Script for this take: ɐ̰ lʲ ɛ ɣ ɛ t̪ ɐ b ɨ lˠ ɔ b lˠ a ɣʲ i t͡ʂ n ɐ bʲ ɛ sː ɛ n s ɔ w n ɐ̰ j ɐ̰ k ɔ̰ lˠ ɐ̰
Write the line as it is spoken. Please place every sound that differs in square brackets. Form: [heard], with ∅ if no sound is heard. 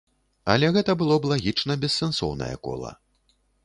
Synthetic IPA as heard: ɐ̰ lʲ ɛ ɣ ɛ t̪ ɐ b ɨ lˠ ɔ b lˠ a ɣʲ i t͡ʂ n ɐ bʲ ɛ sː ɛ n s ɔ w n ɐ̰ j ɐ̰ k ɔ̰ lˠ ɐ̰